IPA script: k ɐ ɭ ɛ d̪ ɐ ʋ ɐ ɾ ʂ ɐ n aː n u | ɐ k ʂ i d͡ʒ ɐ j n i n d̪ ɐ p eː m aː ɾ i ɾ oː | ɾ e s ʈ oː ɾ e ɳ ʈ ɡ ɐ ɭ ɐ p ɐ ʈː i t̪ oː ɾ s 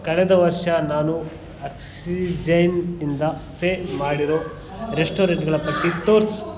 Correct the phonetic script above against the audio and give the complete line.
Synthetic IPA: k ɐ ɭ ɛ d̪ ɐ ʋ ɐ ɾ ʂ ɐ n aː n u | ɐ k s i d͡ʒ ɐ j n i n d̪ ɐ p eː m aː ɽ i ɾ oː | ɾ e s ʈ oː ɾ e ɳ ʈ ɡ ɐ ɭ ɐ p ɐ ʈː i t̪ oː ɾ s